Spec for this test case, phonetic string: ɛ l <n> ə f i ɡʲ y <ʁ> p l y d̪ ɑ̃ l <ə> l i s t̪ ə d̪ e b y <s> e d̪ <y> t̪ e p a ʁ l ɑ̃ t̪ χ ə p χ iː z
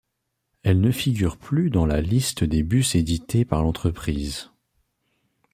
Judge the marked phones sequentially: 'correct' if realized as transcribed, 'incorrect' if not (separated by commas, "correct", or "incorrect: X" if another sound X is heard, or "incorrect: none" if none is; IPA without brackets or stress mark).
correct, correct, incorrect: a, correct, incorrect: i